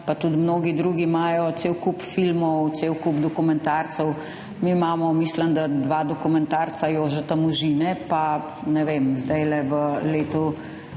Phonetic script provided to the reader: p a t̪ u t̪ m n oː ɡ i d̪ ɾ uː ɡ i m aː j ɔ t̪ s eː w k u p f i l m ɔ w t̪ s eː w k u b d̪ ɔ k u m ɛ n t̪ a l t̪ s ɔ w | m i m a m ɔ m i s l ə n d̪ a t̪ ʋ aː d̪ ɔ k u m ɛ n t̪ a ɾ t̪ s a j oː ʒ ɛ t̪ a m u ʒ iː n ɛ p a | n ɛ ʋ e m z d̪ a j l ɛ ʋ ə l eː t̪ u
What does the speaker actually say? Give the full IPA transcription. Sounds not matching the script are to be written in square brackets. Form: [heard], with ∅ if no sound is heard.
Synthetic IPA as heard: p a t̪ u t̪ m n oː ɡ i d̪ ɾ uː ɡ i m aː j ɔ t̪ s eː w k u p f i l m ɔ w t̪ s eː w k u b d̪ ɔ k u m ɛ n t̪ a [ɾ] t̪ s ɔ w | m i m a m ɔ m i s l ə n d̪ a [d̪] ʋ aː d̪ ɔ k u m ɛ n t̪ a ɾ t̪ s a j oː ʒ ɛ t̪ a m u ʒ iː n ɛ p a | n ɛ ʋ e m z d̪ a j l ɛ ʋ ə l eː t̪ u